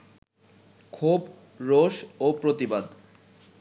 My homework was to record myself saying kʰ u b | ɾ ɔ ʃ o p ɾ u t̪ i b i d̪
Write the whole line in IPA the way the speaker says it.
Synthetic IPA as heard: kʰ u b | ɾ o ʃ o p ɾ o t̪ i b a d̪